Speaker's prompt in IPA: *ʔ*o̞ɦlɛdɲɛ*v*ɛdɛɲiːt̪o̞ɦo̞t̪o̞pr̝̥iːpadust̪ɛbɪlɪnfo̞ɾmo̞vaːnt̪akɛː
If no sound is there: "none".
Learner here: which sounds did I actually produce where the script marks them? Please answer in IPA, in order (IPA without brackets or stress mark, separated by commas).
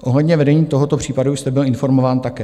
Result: ʔ, v